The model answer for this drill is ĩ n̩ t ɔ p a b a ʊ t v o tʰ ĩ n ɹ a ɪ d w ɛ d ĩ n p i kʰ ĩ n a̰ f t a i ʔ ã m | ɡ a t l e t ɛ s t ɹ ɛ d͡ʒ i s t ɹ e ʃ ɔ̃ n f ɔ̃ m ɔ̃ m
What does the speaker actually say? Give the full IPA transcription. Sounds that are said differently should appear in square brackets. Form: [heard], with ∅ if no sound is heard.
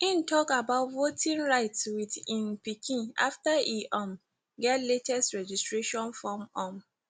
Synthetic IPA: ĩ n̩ t ɔ [k] a b a ʊ t v o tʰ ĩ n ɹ a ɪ [t] w [i] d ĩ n p i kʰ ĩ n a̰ f t a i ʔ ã m | ɡ [ɛ] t l e t ɛ s t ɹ ɛ d͡ʒ i s t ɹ e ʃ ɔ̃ n f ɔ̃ m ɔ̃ m